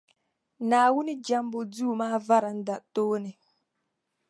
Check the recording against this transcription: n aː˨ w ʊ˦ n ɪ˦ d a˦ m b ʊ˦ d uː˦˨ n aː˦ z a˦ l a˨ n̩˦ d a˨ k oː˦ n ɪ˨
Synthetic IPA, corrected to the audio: n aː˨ w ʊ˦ n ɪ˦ d͡ʒ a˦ m b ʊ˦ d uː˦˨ m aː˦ v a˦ ɾ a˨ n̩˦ d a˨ t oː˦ n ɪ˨